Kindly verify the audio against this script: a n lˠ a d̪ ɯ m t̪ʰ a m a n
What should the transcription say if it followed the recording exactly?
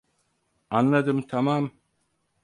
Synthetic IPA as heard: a n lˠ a d̪ ɯ m t̪ʰ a m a m